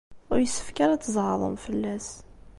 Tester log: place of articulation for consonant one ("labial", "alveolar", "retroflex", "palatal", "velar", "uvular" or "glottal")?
alveolar